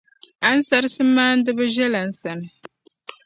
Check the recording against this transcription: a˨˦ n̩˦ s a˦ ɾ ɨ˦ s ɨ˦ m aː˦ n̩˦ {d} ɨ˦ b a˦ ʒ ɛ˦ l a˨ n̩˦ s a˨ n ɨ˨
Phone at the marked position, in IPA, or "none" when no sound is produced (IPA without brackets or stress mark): d